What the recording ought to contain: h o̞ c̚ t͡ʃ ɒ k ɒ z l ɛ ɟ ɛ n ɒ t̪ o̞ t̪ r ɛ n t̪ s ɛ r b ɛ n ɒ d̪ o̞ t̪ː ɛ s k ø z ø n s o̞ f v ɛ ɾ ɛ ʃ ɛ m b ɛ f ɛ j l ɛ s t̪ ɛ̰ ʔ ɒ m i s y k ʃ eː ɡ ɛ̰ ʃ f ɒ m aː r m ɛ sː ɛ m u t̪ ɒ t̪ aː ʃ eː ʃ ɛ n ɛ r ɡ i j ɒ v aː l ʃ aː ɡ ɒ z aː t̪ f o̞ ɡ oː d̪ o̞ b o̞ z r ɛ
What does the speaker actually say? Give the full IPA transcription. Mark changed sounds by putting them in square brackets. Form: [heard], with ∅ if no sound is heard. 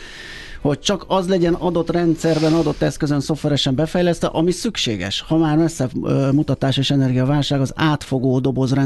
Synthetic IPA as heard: h o̞ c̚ t͡ʃ ɒ k ɒ z l ɛ ɟ ɛ n ɒ [d̪] o̞ t̪ r ɛ n t̪ s ɛ r b ɛ n ɒ d̪ o̞ t̪ː ɛ s k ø z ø n s o̞ f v ɛ ɾ ɛ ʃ ɛ m b ɛ f ɛ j l ɛ s t̪ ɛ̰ ʔ ɒ m i s y k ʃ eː ɡ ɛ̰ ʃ [h] ɒ m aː r m ɛ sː ɛ m u t̪ ɒ t̪ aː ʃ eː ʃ ɛ n ɛ r ɡ i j ɒ v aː l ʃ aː ɡ ɒ z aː t̪ f o̞ ɡ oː d̪ o̞ b o̞ z r ɛ